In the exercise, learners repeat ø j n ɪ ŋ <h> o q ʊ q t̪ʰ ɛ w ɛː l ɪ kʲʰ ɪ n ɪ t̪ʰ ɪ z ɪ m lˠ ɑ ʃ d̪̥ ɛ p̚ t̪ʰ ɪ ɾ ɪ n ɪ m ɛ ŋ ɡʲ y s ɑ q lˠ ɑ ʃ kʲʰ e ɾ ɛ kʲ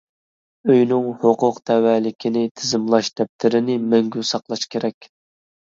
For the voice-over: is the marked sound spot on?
yes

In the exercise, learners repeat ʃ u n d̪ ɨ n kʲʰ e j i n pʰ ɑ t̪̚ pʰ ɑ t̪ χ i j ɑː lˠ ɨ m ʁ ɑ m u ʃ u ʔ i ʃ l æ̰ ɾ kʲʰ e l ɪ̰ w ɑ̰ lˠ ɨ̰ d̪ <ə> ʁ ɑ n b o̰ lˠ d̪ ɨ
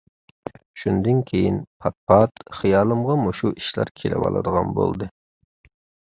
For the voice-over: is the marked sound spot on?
yes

